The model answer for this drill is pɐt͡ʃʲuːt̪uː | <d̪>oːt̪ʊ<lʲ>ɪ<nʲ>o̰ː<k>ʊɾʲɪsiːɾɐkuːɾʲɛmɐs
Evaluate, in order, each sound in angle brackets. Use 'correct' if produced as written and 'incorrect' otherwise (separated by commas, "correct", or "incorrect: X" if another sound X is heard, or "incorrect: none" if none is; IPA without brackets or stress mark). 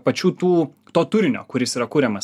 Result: incorrect: t̪, incorrect: ɾʲ, correct, correct